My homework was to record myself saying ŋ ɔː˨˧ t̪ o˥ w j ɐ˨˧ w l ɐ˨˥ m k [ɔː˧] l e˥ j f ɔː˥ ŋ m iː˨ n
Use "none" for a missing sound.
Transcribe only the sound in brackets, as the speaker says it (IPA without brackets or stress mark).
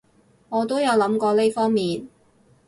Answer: ɔː˧